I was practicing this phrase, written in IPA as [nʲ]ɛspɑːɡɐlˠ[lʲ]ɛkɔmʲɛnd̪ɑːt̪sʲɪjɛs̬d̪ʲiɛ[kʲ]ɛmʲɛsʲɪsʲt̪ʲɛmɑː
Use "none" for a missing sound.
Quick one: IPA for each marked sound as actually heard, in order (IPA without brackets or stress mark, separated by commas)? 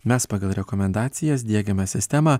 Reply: mʲ, ɾʲ, ɡʲ